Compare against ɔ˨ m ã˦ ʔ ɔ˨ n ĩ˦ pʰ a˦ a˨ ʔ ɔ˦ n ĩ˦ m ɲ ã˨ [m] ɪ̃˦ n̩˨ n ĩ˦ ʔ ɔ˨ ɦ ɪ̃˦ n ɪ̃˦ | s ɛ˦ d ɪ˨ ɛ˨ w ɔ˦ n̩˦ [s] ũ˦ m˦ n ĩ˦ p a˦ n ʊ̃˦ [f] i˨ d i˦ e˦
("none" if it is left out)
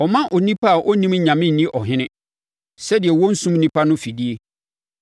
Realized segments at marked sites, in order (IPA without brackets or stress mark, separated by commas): m, s, f